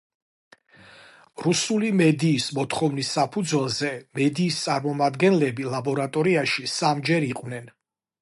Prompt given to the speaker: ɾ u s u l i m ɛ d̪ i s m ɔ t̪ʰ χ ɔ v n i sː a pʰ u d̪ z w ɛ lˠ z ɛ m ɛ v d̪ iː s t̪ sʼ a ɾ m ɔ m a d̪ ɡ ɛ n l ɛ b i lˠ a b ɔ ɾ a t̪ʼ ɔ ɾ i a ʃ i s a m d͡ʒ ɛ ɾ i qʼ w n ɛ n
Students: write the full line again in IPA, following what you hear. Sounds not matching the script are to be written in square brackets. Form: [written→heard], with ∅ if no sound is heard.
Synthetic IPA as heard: ɾ u s u l i m ɛ d̪ [i→iː] s m ɔ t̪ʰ χ ɔ v n i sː a pʰ u d̪ z w ɛ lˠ z ɛ m ɛ [v→∅] d̪ iː s t̪ sʼ a ɾ m ɔ m a d̪ ɡ ɛ n l ɛ b i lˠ a b ɔ ɾ a t̪ʼ ɔ ɾ i a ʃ i s a m d͡ʒ ɛ ɾ i qʼ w n ɛ n